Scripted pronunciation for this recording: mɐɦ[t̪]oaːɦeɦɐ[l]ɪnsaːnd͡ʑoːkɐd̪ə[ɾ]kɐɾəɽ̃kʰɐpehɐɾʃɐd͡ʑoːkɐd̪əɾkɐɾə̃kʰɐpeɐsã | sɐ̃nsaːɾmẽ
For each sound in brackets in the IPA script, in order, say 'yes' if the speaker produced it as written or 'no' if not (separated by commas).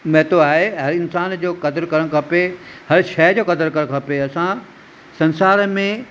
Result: yes, no, yes